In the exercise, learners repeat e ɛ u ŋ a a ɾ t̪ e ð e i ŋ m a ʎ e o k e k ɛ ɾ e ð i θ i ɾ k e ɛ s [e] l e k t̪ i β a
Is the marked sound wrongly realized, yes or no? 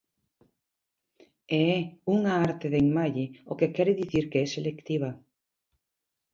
no